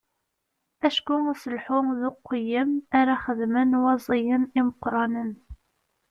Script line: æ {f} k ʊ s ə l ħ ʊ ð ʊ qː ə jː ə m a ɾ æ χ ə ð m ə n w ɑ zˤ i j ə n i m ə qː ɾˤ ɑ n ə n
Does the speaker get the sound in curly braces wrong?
yes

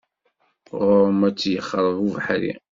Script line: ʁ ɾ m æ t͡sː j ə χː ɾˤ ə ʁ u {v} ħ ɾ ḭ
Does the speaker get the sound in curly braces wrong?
no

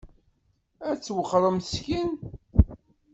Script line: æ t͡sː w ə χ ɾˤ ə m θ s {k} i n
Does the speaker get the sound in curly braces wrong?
no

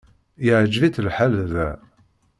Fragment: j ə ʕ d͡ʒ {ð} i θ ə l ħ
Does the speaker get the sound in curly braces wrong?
yes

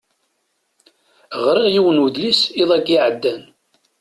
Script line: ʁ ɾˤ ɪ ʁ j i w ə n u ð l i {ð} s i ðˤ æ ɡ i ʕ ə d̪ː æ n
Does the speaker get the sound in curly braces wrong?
yes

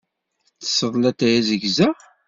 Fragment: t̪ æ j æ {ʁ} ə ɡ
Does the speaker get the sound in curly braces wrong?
yes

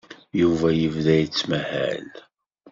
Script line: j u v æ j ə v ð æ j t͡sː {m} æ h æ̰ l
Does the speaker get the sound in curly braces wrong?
no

